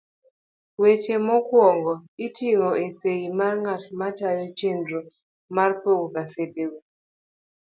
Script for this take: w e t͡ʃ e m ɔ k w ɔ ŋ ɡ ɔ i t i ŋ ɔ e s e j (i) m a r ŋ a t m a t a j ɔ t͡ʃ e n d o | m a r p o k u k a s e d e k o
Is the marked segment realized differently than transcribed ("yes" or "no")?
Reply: no